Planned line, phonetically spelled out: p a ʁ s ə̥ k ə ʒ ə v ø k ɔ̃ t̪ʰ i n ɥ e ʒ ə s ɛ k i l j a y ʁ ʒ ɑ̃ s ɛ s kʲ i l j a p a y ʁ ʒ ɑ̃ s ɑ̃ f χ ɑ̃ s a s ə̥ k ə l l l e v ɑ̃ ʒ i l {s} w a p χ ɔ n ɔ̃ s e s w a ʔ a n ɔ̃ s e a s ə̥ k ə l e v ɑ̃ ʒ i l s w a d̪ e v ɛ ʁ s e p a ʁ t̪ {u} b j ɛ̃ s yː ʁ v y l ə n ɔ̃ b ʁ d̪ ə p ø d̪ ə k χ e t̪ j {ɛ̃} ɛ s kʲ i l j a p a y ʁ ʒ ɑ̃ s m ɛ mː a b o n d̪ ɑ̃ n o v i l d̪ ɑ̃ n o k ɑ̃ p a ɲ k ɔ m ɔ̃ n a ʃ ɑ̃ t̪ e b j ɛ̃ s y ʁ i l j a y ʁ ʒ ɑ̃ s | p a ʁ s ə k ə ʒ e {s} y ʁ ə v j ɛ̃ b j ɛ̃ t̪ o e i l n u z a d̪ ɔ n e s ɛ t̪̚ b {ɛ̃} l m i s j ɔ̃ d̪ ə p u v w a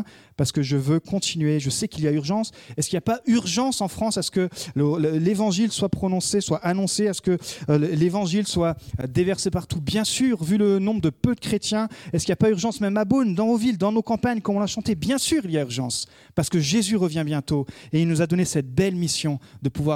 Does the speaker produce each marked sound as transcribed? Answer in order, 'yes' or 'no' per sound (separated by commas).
yes, yes, yes, no, no